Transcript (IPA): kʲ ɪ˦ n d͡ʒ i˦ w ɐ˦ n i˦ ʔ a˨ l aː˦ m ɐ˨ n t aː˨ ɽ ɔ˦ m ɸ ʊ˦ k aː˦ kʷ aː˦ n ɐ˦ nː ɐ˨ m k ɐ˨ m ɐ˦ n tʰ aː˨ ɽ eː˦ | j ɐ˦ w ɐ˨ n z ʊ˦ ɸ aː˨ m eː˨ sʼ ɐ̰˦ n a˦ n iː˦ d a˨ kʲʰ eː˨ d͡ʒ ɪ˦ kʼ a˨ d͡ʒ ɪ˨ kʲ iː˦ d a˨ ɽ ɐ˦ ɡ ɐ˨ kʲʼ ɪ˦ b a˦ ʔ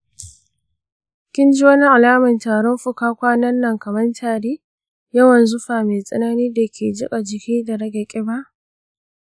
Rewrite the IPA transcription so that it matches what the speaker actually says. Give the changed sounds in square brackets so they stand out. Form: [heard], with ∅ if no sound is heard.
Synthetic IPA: kʲ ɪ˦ n d͡ʒ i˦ w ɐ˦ n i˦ ʔ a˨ l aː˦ m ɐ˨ n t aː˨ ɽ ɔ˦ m ɸ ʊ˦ k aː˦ kʷ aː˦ n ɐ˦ nː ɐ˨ [ŋ] k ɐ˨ m ɐ˦ n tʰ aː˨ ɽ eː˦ | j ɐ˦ w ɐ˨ n z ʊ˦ ɸ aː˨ m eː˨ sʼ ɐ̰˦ n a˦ n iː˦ d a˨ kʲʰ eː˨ d͡ʒ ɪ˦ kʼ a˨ d͡ʒ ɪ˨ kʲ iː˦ d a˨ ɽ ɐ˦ ɡ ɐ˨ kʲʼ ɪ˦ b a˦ ʔ